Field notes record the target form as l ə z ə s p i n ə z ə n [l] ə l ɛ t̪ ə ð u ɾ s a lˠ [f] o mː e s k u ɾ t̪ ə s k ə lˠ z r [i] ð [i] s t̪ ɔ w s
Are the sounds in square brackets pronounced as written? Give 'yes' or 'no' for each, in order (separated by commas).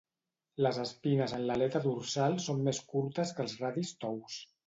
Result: yes, no, no, yes